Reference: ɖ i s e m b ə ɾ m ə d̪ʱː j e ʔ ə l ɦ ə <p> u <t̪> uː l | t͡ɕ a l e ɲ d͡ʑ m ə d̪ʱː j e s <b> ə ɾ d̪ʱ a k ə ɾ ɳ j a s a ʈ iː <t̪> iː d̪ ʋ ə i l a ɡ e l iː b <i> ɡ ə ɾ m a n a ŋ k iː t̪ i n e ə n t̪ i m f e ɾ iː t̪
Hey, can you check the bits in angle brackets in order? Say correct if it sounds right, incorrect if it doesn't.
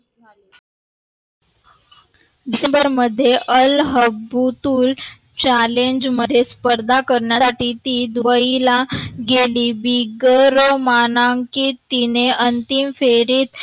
incorrect: b, correct, incorrect: p, correct, correct

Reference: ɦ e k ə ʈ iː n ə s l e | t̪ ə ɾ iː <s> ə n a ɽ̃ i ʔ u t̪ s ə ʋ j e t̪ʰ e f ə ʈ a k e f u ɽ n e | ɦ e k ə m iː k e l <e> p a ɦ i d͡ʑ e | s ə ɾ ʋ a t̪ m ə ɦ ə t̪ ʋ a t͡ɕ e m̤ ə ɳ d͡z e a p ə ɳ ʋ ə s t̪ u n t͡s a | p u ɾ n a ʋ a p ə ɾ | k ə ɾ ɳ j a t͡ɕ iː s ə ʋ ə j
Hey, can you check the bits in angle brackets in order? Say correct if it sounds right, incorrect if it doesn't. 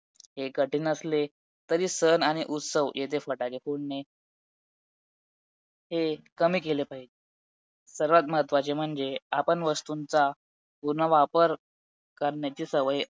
correct, correct

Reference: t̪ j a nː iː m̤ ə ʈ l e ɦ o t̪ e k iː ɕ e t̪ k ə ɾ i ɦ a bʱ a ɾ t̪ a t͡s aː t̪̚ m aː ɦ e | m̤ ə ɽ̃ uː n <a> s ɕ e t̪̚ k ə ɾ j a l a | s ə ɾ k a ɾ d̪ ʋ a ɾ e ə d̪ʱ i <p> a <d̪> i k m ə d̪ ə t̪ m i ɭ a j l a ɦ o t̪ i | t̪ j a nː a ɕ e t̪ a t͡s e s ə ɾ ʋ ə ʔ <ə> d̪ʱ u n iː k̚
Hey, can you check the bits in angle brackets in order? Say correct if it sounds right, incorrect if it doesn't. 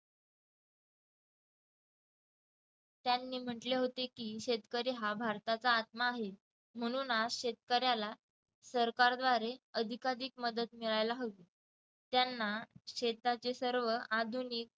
correct, incorrect: k, correct, incorrect: a

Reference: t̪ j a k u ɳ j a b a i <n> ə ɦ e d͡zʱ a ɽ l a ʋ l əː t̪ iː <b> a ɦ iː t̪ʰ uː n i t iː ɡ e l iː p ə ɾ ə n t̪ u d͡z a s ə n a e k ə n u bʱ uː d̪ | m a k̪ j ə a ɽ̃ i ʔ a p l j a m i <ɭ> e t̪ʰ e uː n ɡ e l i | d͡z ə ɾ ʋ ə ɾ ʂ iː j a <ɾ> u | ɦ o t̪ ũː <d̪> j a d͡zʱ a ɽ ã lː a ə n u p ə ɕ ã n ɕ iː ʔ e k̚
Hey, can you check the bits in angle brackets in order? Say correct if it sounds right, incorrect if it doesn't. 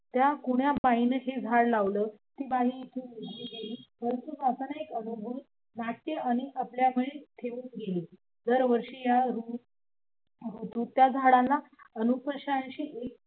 correct, correct, correct, correct, incorrect: t̪

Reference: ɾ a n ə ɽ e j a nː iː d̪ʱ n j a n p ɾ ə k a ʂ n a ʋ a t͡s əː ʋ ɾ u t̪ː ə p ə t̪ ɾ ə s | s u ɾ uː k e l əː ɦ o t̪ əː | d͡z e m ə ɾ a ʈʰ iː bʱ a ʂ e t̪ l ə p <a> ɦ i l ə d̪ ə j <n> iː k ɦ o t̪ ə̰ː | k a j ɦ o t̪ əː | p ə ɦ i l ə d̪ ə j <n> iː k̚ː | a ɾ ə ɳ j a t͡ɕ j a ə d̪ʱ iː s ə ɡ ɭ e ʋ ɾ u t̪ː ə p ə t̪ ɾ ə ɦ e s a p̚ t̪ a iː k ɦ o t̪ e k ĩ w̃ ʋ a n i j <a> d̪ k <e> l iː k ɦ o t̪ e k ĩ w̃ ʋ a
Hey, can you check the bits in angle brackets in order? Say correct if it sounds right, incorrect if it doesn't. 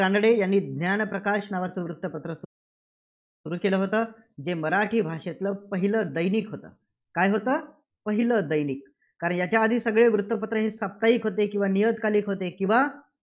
incorrect: ə, correct, correct, incorrect: ə, incorrect: a

